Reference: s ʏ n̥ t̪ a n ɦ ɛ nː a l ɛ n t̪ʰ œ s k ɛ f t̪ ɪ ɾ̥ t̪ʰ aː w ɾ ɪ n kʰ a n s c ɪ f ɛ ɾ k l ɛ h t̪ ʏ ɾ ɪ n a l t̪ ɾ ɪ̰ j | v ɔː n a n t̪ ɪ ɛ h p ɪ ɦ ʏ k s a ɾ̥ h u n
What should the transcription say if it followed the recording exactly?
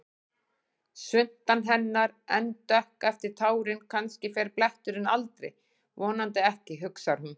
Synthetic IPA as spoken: s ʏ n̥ t̪ a n ɦ ɛ nː a ɾ ɛ n t̪ œ h k ɛ f t̪ ɪ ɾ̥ t̪ʰ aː w ɾ ɪ n kʰ a n s c ɪ f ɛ ɾ p l ɛ h t̪ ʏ ɾ ɪ n a l t̪ ɾ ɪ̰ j | v ɔː n a n t̪ ɪ ɛ h c ɪ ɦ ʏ k s a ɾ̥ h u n